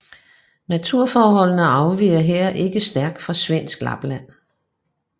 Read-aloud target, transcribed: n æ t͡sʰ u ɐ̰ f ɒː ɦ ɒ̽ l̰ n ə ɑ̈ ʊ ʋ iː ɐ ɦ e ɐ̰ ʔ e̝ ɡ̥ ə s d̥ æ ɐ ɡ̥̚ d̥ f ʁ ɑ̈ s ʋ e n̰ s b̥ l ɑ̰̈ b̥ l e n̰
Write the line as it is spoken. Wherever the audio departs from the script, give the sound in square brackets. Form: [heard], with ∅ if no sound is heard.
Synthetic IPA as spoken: n æ t͡sʰ u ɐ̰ f ɒː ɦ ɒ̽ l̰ n ə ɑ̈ ʊ ʋ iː ɐ ɦ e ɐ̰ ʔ e̝ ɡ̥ ə s d̥ æ ɐ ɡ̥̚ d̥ f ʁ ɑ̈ s ʋ e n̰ s [ɡ̥] l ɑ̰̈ b̥ l [æ] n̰